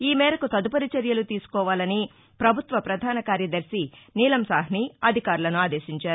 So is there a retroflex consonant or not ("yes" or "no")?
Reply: no